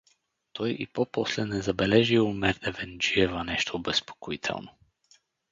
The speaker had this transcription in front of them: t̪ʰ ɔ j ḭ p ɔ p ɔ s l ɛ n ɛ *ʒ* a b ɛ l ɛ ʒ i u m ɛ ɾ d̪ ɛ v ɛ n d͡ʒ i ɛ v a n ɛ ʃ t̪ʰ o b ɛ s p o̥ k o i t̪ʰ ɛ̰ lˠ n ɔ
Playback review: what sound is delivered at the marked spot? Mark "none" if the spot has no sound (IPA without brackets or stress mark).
z